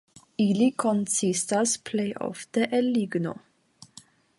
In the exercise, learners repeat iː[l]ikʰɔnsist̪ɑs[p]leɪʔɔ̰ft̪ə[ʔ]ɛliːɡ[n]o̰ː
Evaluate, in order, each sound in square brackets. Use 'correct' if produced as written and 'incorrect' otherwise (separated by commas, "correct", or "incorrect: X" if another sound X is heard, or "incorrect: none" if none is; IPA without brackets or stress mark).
correct, incorrect: pʰ, correct, correct